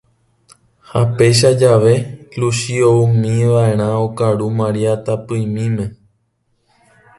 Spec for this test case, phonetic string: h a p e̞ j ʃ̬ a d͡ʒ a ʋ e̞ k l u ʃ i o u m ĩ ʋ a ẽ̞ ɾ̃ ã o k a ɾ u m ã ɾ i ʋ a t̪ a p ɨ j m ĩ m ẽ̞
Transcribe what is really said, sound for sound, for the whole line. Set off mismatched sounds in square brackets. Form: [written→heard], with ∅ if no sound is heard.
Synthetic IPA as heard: h a p e̞ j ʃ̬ a d͡ʒ a ʋ e̞ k l u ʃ i o u m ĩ ʋ a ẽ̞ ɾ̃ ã o k a ɾ u m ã ɾ i [ʋ→∅] a t̪ a p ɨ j m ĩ m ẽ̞